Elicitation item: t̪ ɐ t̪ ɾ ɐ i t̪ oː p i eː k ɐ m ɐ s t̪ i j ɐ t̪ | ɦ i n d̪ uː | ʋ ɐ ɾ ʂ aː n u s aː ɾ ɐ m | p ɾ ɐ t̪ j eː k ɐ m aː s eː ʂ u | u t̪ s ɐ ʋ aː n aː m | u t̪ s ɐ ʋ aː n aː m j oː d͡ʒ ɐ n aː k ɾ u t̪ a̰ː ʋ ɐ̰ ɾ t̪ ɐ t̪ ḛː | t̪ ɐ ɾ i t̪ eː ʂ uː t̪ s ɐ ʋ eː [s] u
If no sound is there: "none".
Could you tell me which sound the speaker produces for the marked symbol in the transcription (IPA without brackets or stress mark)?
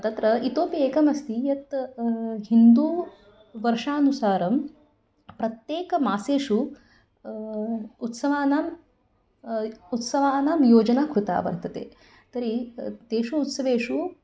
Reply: ʂ